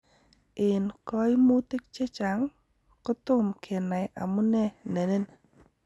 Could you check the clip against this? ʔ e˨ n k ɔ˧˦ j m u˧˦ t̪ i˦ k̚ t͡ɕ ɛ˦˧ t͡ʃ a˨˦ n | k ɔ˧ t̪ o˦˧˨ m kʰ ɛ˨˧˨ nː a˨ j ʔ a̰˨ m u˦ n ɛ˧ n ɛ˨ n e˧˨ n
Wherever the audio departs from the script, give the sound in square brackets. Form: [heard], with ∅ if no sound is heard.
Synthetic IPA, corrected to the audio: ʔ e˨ n k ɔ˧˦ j m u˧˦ t̪ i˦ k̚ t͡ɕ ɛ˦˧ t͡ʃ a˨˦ [ŋ] | k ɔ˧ t̪ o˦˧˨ m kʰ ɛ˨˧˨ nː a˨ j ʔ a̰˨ m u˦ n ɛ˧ n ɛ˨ n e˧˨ n